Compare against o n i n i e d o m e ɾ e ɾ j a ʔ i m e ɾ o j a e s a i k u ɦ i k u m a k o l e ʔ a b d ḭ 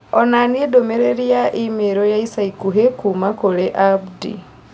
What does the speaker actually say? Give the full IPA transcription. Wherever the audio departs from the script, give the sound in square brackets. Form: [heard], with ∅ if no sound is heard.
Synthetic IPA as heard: o n [a] n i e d o m e ɾ e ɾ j a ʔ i m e ɾ o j a [i] s a i k u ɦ [e] k u m a k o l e ʔ a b d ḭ